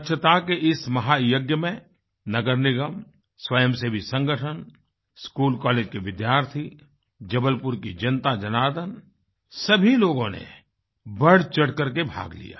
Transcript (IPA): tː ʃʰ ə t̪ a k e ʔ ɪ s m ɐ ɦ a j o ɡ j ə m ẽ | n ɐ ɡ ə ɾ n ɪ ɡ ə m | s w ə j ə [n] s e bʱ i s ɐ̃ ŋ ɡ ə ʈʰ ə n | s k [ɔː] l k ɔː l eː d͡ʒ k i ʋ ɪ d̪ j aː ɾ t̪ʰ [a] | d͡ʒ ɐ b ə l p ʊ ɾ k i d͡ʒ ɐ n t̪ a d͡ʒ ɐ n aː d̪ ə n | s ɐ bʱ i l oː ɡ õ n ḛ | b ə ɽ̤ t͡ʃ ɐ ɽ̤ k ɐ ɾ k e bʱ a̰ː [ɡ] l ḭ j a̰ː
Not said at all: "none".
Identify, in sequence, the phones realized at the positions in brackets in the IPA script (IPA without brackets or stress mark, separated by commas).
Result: m, uː, i, ɡ